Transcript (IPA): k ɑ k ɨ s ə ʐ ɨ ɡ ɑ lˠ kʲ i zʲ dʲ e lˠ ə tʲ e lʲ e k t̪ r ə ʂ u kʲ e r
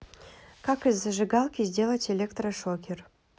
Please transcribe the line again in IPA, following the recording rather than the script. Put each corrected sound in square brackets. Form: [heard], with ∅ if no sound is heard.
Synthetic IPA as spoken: k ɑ k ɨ [z] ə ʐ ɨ ɡ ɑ lˠ kʲ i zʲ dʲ e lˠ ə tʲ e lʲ e k t̪ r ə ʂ [o] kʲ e r